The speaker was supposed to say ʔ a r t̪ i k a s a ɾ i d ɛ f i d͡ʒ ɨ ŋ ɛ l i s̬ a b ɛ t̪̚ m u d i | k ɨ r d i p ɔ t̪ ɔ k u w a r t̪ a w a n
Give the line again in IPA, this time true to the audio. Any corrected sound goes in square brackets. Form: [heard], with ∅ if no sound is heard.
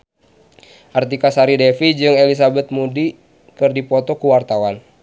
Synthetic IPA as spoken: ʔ a r t̪ i k a s a ɾ i d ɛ f i d͡ʒ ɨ ŋ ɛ l i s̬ a b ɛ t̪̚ m u d i | k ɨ r d i p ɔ t̪ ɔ k u w a r t̪ a w a n

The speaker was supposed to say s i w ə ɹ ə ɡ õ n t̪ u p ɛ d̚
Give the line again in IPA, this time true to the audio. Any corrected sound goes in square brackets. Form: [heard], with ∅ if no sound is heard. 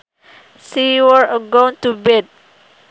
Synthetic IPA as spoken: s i w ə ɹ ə ɡ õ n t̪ u [b] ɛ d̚

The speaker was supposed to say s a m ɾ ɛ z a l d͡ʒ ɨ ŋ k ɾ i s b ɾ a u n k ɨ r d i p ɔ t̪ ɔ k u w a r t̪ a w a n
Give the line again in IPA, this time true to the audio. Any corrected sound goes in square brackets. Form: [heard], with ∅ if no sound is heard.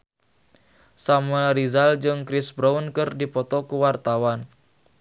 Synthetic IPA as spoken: s a m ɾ [i] z a l d͡ʒ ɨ ŋ k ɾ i s b ɾ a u n k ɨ r d i p ɔ t̪ ɔ k u w a r t̪ a w a n

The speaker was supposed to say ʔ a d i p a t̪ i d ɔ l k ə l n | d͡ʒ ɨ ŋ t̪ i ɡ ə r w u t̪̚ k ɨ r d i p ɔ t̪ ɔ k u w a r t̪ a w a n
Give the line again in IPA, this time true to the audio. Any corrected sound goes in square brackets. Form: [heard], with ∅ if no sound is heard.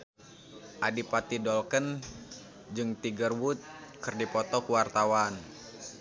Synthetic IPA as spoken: ʔ a d i p a t̪ i d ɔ l k ə [∅] n | d͡ʒ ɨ ŋ t̪ i ɡ ə r w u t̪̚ k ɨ r d i p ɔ t̪ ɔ k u w a r t̪ a w a n

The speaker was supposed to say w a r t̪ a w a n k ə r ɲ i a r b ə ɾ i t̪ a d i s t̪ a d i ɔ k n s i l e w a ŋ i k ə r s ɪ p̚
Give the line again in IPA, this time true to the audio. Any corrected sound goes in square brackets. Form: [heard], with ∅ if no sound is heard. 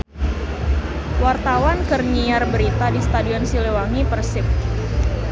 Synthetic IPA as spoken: w a r t̪ a w a n k ə r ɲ i a r b ə ɾ i t̪ a d i s t̪ a d i ɔ [∅] n s i l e w a ŋ i [p] ə r s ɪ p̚

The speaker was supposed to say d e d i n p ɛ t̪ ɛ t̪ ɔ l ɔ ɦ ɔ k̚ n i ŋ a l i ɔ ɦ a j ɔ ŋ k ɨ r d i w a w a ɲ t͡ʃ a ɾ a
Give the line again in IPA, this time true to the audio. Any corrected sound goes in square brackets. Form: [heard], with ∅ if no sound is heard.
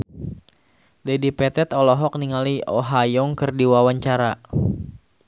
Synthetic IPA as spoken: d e d i [∅] p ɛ t̪ ɛ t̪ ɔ l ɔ ɦ ɔ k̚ n i ŋ a l i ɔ ɦ a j ɔ ŋ k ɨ r d i w a w a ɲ t͡ʃ a ɾ a

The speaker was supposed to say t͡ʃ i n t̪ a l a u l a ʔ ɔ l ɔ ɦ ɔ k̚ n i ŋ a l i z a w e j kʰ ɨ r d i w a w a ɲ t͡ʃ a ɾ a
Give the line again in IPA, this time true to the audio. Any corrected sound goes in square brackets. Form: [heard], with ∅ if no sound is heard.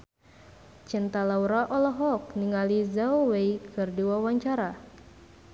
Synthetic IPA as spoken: t͡ʃ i n t̪ a l a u [ɾ] a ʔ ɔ l ɔ ɦ ɔ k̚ n i ŋ a l i z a w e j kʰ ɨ r d i w a w a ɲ t͡ʃ a ɾ a

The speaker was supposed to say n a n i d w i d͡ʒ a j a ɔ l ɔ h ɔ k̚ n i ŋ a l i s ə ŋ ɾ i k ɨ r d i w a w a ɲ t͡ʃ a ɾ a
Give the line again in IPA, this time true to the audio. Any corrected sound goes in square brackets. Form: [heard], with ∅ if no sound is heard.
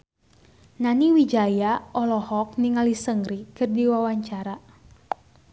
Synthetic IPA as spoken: n a n i [∅] w i d͡ʒ a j a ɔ l ɔ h ɔ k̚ n i ŋ a l i s ə ŋ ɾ i k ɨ r d i w a w a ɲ t͡ʃ a ɾ a

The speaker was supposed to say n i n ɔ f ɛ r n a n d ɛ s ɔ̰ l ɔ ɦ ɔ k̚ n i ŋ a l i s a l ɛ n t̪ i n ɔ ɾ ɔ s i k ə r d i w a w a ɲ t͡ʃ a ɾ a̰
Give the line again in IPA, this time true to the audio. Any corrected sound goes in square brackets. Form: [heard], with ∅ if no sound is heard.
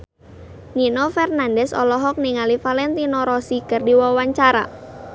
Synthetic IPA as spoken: n i n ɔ f ɛ r n a n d ɛ s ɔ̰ l ɔ ɦ ɔ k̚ n i ŋ a l i [f] a l ɛ n t̪ i n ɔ ɾ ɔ s i k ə r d i w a w a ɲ t͡ʃ a ɾ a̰

